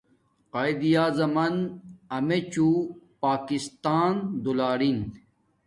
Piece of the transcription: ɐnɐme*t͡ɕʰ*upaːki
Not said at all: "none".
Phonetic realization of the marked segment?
t͡ɕ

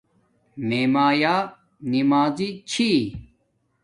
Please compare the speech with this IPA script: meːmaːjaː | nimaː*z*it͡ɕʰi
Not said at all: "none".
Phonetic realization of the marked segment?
z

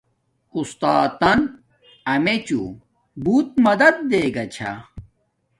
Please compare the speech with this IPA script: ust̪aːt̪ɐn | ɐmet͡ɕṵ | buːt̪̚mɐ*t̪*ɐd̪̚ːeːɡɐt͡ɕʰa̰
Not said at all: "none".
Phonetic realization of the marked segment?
d̪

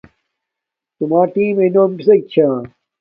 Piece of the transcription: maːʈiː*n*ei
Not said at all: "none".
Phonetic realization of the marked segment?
m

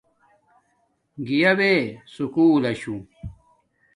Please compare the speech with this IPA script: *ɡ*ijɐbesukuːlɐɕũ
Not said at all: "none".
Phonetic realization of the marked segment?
ɡ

